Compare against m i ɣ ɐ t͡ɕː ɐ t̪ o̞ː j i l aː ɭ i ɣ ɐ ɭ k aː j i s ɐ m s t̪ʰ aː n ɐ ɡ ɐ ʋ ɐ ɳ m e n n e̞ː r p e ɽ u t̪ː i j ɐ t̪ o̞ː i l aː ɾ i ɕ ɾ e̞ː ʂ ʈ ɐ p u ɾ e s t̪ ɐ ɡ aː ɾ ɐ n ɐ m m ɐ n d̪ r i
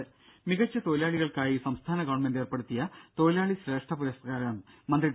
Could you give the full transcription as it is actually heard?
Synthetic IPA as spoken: m i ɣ ɐ t͡ɕː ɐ t̪ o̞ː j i l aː ɭ i ɣ ɐ ɭ k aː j i s ɐ m s t̪ʰ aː n ɐ ɡ ɐ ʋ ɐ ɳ m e n d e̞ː r p e ɽ u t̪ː i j ɐ t̪ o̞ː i l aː ɭ i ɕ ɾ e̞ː ʂ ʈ ɐ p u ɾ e s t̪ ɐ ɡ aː ɾ ɐ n ɐ m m ɐ n d̪ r i